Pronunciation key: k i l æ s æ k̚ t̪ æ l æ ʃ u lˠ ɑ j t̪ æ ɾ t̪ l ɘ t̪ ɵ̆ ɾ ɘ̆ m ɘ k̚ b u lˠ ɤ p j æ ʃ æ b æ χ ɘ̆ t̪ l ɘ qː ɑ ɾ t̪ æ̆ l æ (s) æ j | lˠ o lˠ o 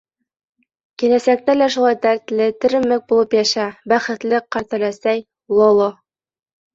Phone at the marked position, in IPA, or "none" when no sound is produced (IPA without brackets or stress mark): s